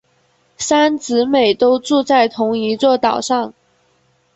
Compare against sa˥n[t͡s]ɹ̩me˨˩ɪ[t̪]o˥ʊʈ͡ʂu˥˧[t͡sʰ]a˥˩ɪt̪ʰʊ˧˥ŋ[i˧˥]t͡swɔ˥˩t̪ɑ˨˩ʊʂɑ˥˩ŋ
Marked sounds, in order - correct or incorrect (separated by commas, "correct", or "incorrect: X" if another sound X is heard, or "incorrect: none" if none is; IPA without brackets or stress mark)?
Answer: correct, correct, incorrect: t͡s, correct